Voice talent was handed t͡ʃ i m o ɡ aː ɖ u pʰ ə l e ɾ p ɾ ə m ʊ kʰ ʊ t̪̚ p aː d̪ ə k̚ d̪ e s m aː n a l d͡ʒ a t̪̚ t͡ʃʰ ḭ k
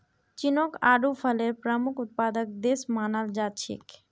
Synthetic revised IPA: t͡ʃ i n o k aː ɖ u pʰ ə l e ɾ p ɾ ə m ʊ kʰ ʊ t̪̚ p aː d̪ ə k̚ d̪ e s m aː n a l d͡ʒ a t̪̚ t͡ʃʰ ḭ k